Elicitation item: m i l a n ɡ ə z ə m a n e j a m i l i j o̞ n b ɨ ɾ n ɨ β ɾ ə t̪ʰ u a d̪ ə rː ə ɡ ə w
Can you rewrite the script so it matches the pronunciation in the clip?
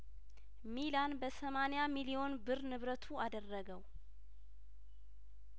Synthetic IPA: m i l a n b ə s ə m a n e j a m i l i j o̞ n b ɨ ɾ n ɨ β ɾ ə t̪ʰ u a d̪ ə rː ə ɡ ə w